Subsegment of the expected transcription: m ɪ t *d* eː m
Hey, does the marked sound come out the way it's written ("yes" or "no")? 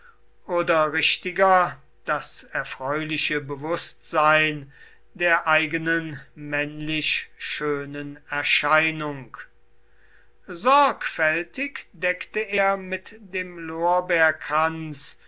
yes